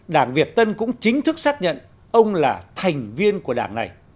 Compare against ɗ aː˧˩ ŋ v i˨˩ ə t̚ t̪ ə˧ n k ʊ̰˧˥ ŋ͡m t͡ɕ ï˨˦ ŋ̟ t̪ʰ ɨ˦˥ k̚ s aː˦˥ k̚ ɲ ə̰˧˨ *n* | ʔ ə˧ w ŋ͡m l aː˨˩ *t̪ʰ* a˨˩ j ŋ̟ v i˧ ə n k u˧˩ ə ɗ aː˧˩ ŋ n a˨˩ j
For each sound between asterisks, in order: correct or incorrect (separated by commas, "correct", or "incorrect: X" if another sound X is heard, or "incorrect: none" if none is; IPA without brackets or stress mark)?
correct, correct